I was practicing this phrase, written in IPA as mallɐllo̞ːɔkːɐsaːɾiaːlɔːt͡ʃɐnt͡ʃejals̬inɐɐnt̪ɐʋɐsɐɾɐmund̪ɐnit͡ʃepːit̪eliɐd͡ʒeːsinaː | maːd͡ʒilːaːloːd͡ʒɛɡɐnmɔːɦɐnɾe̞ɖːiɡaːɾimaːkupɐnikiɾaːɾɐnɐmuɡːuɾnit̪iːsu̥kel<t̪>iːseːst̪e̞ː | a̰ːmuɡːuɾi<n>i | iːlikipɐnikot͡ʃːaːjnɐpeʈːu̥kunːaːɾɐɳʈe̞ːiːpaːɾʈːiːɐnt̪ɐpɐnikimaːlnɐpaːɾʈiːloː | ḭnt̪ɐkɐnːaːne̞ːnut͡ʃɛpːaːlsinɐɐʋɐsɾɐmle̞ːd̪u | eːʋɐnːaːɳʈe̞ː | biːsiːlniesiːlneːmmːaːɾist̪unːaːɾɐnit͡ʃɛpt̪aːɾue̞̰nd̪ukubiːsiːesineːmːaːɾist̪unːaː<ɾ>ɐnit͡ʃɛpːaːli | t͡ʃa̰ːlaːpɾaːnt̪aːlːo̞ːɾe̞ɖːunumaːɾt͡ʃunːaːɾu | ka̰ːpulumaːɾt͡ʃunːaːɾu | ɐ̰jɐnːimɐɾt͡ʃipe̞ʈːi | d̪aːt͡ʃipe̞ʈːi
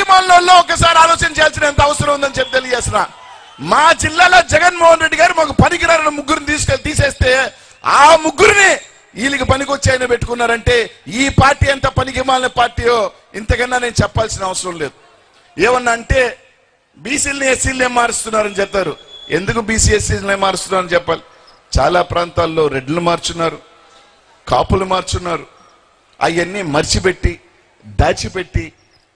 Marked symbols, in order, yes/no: yes, yes, yes

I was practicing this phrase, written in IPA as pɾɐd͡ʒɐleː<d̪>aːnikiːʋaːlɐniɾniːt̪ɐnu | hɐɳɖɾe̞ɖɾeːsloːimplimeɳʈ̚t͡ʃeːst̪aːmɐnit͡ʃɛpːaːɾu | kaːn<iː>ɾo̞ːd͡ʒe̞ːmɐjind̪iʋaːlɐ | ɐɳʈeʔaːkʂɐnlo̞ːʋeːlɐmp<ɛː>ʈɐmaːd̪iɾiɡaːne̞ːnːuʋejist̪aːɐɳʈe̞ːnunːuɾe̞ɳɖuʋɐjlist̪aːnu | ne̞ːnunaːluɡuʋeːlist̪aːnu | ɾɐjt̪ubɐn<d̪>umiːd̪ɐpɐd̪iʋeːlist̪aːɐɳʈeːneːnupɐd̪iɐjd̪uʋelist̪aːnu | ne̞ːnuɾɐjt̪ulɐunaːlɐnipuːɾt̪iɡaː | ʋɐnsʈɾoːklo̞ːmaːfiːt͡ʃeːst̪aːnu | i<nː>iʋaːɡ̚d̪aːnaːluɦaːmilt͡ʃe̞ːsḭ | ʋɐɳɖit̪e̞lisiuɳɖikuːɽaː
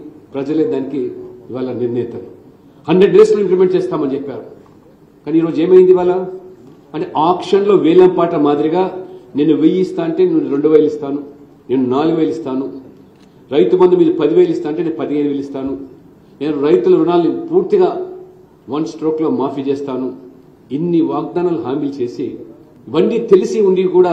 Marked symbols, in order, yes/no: yes, yes, no, yes, yes

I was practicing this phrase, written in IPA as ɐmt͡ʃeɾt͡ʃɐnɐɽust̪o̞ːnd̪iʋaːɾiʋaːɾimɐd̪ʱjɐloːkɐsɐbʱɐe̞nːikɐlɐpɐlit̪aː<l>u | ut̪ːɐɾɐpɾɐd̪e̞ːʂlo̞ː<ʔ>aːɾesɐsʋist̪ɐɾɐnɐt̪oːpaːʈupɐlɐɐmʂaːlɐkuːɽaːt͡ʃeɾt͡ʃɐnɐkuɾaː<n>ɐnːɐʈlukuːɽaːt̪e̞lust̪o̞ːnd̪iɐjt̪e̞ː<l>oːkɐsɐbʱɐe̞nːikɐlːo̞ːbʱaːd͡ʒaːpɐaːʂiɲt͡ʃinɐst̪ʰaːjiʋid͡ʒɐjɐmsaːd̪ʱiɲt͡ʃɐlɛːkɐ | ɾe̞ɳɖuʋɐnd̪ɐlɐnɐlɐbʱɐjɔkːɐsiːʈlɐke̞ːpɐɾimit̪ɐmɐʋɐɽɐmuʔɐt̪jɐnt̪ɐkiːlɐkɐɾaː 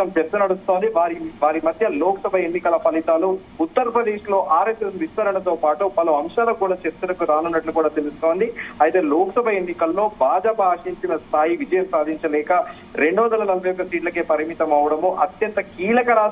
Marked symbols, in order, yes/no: yes, yes, yes, yes

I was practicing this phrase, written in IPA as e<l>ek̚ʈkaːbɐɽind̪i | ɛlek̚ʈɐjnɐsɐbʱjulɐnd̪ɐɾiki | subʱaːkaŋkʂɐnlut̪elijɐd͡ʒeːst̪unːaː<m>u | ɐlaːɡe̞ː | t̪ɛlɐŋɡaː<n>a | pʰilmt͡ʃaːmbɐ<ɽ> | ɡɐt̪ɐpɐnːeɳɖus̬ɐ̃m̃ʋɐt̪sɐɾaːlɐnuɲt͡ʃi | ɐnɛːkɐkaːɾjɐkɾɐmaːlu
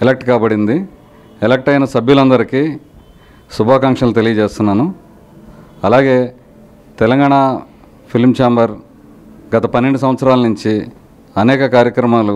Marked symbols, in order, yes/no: yes, no, no, no

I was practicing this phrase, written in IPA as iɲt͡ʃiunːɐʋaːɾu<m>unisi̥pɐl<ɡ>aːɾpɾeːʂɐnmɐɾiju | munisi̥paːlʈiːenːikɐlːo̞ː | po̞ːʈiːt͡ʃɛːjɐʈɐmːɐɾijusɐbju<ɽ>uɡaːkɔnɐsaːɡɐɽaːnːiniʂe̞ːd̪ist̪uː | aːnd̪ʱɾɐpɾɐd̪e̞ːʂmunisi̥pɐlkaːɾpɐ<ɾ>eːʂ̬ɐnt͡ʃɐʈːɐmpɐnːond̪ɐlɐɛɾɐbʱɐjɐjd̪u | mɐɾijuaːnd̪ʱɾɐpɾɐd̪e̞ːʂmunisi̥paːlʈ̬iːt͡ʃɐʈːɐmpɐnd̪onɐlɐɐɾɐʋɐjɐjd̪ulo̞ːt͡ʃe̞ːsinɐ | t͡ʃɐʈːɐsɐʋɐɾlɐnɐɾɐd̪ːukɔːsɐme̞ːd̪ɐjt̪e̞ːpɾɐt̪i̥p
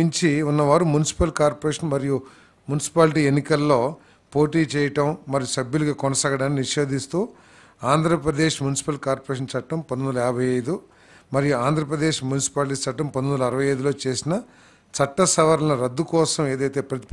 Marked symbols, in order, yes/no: yes, no, no, yes

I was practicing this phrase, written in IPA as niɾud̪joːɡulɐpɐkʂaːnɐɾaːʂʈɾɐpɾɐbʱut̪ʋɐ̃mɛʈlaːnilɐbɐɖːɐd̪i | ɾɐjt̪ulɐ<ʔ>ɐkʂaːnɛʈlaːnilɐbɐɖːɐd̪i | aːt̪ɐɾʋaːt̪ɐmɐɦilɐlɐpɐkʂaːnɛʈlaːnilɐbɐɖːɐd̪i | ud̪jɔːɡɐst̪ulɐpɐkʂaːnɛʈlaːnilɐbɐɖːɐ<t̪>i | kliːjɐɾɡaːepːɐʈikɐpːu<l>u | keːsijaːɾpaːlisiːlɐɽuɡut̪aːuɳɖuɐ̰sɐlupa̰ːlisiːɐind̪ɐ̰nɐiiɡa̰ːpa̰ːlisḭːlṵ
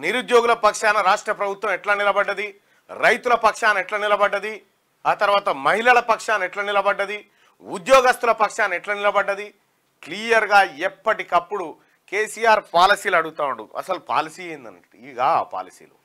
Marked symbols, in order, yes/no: no, no, no

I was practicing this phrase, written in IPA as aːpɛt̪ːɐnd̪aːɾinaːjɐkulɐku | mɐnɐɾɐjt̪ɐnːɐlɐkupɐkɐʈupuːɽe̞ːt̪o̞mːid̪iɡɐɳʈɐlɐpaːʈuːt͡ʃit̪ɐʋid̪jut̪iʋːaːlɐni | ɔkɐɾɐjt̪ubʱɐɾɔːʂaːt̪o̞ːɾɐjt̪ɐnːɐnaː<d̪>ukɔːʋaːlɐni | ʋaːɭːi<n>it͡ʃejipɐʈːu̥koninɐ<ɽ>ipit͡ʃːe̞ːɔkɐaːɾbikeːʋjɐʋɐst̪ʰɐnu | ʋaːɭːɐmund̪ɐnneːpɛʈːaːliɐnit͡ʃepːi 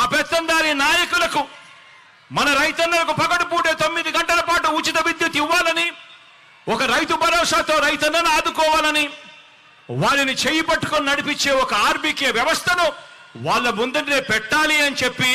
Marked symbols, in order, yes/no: yes, yes, yes

